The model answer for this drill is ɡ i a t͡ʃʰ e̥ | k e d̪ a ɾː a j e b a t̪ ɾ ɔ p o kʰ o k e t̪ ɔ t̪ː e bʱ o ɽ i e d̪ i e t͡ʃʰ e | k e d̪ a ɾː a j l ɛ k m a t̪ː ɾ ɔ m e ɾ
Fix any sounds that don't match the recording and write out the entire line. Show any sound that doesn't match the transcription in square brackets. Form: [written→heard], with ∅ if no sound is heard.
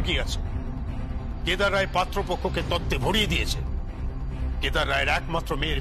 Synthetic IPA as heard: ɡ i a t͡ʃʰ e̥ | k e d̪ a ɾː a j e [b→p] a t̪ ɾ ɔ p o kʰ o k e t̪ ɔ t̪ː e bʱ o ɽ i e d̪ i e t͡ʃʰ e | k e d̪ a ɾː a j [l→ɾ] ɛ k m a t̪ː ɾ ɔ m e ɾ

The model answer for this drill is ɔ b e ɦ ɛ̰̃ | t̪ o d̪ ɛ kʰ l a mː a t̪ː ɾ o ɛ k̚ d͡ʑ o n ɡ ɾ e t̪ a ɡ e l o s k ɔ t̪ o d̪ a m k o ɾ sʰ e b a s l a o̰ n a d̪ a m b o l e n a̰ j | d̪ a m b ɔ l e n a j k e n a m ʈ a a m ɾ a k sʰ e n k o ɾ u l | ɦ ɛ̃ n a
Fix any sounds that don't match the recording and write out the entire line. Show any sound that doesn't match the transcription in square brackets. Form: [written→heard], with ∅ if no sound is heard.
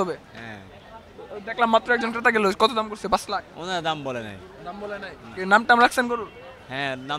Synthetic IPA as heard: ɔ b e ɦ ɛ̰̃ | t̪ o d̪ ɛ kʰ l a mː a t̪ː ɾ o ɛ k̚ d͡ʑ o n [ɡ→k] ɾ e t̪ a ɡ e l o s k ɔ t̪ o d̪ a m k o ɾ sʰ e b a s l a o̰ n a d̪ a m b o l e n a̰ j | d̪ a m b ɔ l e n a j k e n a m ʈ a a m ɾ a k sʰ e n k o ɾ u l | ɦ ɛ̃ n a

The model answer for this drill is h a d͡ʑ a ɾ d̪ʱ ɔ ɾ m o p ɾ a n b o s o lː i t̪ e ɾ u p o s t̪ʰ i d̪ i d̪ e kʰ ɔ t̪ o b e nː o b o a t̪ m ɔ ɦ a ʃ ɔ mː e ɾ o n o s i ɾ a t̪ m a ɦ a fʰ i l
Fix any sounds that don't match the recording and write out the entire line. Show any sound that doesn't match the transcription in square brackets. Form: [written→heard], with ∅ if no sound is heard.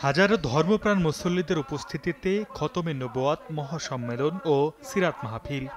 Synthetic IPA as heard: h a d͡ʑ a ɾ d̪ʱ ɔ ɾ m o p ɾ a n [b→m] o s o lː i [t̪→d̪] e ɾ u p o s t̪ʰ i [d̪→t̪] i [d̪→t̪] e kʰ ɔ t̪ o [b→m] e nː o b o a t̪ m ɔ ɦ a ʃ ɔ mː e [ɾ→l] o n o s i ɾ a t̪ m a ɦ a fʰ i l

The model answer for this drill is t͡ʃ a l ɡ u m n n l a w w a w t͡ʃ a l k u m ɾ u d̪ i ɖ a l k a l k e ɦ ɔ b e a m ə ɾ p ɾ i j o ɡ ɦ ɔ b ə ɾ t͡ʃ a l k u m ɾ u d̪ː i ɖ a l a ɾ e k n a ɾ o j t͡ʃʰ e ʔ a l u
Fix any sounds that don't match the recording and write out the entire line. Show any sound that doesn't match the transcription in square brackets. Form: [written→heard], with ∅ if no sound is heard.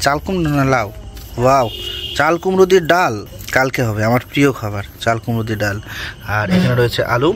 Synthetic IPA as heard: t͡ʃ a l [ɡ→k] u m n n l a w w a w t͡ʃ a l k u m ɾ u d̪ i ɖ a l k a l k e ɦ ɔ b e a m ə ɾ p ɾ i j o ɡ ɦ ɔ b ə ɾ t͡ʃ a l k u m ɾ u [d̪ː→d̪] i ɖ a l a ɾ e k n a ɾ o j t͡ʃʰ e ʔ a l u

